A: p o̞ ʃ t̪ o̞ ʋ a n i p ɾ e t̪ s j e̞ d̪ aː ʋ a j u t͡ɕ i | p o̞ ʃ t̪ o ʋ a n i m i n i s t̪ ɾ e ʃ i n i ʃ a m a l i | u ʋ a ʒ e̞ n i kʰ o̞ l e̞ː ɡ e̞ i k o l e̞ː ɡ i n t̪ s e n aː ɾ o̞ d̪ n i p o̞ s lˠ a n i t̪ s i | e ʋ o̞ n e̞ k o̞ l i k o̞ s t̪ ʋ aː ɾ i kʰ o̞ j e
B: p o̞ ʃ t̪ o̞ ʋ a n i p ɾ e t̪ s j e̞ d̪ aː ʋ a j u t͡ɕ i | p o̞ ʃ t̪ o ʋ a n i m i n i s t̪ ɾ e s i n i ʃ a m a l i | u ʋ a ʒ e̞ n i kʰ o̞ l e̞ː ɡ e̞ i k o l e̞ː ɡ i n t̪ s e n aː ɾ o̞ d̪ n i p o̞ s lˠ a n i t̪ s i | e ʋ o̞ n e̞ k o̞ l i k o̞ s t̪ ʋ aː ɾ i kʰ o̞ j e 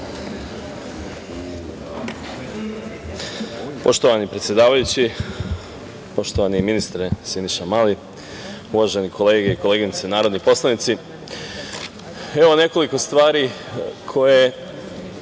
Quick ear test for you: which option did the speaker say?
B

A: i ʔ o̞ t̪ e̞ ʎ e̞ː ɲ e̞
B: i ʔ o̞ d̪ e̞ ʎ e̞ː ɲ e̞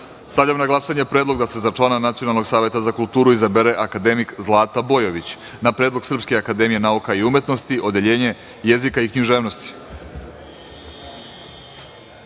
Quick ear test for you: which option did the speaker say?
B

